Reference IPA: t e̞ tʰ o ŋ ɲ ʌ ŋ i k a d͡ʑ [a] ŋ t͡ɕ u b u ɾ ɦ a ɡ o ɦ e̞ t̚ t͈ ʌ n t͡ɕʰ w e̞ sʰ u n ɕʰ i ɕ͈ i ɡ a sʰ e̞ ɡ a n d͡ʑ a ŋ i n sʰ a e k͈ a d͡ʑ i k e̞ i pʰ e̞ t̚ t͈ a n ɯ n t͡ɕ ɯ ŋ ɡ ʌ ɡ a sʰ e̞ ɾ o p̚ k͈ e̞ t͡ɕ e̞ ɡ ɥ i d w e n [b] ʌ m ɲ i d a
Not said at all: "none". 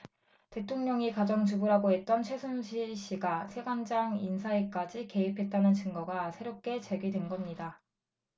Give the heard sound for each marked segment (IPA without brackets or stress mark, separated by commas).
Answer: ʌ, ɡ